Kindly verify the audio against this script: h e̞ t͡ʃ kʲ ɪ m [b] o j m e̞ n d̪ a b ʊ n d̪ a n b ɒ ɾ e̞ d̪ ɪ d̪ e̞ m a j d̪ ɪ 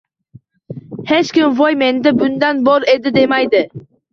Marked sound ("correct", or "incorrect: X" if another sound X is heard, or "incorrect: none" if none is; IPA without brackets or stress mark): incorrect: v